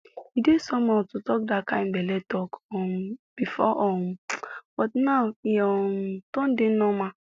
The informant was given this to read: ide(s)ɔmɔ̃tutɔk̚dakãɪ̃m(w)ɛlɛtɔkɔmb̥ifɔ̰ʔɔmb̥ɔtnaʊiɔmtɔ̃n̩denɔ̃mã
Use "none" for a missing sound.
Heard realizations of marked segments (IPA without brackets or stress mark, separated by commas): s, b